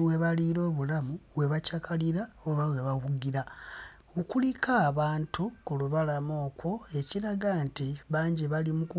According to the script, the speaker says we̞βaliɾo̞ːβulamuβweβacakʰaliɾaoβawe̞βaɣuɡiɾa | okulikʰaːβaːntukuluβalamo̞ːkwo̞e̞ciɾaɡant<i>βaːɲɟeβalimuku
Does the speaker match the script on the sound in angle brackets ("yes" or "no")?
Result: yes